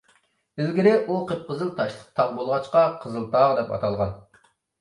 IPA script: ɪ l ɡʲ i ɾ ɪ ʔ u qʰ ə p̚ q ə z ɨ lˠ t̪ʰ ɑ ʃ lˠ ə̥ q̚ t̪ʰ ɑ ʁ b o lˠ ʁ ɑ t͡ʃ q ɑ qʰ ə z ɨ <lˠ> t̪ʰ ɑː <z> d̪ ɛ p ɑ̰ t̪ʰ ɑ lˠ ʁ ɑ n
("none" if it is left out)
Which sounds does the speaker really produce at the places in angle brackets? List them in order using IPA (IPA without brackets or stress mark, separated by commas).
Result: lˠ, ʁ